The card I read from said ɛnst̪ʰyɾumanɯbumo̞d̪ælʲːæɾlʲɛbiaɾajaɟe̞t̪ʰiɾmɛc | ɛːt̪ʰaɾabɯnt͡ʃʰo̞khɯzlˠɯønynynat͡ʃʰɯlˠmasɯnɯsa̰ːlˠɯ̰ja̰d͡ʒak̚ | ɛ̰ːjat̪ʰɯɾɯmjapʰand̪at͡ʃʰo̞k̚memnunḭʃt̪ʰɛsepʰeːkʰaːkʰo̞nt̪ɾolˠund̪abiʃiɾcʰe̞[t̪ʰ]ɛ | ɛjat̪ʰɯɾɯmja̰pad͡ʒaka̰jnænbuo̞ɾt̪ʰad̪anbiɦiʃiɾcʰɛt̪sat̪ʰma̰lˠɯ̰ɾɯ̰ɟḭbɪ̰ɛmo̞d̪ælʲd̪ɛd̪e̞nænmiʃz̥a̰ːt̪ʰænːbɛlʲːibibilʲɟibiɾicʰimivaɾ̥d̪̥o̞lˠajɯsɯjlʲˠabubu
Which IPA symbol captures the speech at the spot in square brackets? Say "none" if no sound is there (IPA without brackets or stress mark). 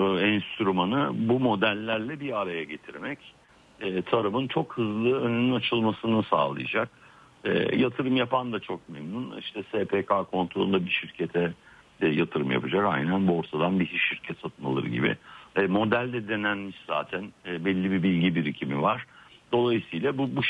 t̪ʰ